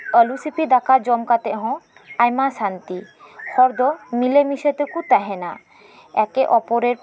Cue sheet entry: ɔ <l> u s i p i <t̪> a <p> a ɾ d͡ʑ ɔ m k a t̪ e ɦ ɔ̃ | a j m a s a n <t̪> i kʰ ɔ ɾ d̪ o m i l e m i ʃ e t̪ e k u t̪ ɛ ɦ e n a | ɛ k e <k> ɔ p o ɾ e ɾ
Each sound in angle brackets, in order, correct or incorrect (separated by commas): correct, incorrect, incorrect, correct, incorrect